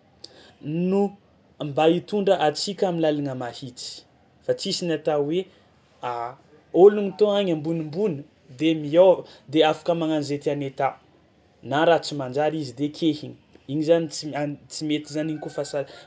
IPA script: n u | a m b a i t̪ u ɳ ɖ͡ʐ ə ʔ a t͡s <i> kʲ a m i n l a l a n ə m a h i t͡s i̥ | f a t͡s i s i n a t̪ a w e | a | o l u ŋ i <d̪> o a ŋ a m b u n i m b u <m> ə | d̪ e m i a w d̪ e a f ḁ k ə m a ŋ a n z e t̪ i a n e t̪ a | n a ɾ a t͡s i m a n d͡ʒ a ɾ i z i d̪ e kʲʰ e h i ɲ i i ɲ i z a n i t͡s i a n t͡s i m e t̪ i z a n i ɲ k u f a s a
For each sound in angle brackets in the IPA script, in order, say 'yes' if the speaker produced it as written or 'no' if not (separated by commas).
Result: yes, no, no